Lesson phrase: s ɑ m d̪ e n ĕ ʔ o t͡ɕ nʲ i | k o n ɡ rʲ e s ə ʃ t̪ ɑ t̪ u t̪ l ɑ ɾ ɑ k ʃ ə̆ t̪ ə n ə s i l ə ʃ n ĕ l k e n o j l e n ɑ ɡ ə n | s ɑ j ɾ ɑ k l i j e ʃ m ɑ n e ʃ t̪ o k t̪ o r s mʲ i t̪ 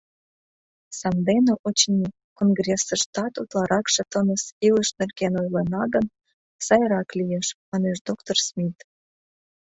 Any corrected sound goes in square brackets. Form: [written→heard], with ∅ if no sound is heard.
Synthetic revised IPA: s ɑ m d̪ e n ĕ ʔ o t͡ɕ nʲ i | k o n ɡ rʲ e s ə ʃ t̪ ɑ t̪ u t̪ l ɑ ɾ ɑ k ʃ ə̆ t̪ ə n ə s i l ə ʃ n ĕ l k e n o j l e n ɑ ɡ ə n | s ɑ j ɾ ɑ k l i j e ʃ m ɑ n e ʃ [t̪→d̪] o k t̪ o r s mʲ i t̪